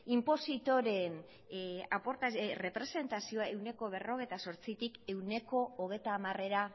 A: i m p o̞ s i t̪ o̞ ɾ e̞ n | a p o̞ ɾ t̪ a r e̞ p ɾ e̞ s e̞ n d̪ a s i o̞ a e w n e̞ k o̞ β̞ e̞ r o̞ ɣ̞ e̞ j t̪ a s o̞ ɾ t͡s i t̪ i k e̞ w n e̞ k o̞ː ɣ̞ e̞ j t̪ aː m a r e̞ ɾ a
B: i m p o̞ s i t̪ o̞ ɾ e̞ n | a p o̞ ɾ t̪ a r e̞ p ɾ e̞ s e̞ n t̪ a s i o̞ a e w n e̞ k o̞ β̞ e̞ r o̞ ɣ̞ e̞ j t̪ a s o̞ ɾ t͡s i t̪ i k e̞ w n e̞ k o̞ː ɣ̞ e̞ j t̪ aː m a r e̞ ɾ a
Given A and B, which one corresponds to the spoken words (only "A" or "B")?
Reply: B